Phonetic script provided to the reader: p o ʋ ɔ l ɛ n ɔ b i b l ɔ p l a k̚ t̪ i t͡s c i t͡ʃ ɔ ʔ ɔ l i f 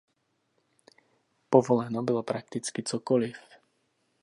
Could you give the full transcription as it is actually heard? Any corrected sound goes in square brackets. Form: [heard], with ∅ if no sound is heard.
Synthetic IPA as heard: p [ɔ] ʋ ɔ l ɛ n ɔ b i [∅] l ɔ p [ɾ] a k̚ t̪ i t͡s [k] i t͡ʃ ɔ [k] ɔ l i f